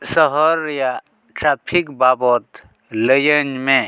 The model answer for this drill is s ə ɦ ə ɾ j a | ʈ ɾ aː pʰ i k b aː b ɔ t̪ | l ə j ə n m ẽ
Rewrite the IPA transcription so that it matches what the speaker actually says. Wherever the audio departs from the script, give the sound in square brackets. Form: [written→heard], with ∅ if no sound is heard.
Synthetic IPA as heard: s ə ɦ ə ɾ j a | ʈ ɾ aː pʰ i k b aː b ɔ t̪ | l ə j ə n m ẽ